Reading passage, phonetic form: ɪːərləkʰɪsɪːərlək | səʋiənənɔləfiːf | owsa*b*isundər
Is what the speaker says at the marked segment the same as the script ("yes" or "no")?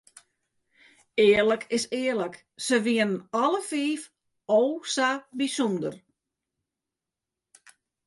yes